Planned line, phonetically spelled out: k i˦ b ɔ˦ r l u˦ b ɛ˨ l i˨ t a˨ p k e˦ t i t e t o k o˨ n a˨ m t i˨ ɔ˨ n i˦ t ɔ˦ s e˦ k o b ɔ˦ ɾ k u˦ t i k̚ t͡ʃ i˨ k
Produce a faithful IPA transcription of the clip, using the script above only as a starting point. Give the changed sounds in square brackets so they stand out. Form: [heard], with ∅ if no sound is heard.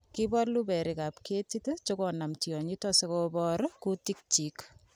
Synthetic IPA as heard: k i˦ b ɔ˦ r l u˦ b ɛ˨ [ɾ] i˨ [k] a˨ p k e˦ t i t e [t͡ʃ] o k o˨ n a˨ m t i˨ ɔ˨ [ɲ] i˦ t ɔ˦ s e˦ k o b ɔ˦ ɾ k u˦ t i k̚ t͡ʃ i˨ k